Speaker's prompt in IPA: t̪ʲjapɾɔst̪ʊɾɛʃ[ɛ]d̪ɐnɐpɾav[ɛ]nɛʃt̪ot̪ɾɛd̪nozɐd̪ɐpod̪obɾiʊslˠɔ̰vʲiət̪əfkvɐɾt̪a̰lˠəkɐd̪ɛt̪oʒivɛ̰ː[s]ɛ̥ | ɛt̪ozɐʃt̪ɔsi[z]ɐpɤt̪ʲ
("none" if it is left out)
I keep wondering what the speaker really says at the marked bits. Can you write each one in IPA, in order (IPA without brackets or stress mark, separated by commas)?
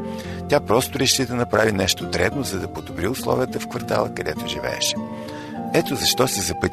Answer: i, i, ʃ, z